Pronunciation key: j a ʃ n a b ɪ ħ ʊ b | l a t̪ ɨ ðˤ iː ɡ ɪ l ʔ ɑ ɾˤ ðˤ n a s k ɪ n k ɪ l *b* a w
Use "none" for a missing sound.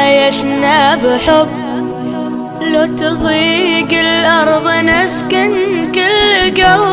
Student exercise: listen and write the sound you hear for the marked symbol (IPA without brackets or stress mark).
ɡ